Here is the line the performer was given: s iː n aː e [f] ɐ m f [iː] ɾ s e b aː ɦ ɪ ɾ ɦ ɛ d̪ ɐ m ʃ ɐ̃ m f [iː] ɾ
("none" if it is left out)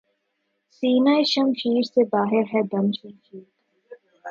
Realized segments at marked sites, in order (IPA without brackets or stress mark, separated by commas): ʃ, iː, iː